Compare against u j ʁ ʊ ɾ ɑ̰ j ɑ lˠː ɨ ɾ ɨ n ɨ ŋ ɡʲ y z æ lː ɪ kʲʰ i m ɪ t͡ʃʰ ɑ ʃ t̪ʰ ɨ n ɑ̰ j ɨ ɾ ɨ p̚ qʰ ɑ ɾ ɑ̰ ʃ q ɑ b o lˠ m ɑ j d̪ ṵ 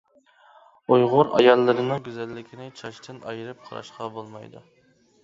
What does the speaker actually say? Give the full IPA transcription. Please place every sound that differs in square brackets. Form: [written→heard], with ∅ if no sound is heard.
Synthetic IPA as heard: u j ʁ ʊ ɾ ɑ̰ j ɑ lˠː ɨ ɾ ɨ n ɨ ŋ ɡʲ y z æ lː ɪ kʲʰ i [m→n] ɪ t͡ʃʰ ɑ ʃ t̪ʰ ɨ n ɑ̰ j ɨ ɾ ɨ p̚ qʰ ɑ ɾ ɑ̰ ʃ q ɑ b o lˠ m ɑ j d̪ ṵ